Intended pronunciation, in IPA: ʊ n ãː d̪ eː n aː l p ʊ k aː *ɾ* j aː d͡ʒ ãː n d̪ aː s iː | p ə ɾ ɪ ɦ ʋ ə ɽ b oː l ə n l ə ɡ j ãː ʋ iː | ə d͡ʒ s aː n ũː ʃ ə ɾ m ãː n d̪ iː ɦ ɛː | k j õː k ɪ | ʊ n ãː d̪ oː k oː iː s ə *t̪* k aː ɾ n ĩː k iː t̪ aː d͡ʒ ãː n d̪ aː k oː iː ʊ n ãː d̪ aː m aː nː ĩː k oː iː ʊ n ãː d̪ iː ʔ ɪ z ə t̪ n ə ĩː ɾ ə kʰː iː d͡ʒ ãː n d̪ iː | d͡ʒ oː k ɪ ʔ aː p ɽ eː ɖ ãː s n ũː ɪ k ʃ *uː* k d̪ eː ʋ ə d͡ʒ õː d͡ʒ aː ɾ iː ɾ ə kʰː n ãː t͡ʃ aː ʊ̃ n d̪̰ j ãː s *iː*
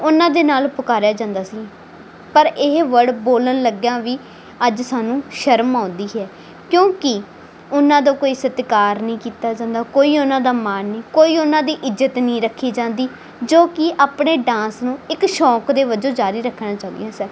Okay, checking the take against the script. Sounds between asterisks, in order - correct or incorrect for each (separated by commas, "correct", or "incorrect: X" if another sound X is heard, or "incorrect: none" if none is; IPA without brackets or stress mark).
correct, correct, incorrect: ɔː, incorrect: ɛː